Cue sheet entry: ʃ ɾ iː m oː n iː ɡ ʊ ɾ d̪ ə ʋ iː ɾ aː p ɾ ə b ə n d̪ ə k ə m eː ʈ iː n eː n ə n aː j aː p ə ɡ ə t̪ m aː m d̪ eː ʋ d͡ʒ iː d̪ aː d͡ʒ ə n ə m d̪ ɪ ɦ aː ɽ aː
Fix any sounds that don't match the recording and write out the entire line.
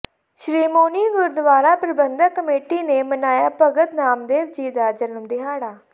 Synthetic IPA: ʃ ɾ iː m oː n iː ɡ ʊ ɾ d̪ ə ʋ aː ɾ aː p ɾ ə b ə n d̪ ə k ə m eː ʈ iː n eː m ə n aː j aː p ə ɡ ə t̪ n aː m d̪ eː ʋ d͡ʒ iː d̪ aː d͡ʒ ə n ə m d̪ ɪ ɦ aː ɽ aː